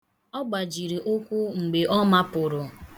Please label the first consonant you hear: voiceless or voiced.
voiced